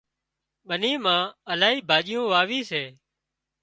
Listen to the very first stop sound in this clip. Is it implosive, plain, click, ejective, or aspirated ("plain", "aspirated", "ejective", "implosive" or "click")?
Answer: implosive